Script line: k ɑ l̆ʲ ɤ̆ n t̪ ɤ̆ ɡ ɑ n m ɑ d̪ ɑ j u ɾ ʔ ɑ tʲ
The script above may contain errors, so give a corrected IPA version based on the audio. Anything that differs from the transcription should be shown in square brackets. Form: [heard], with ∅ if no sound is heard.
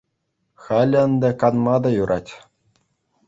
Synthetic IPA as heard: [x] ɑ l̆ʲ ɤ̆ n [d̪] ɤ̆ [k] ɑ n m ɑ d̪ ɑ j u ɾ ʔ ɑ tʲ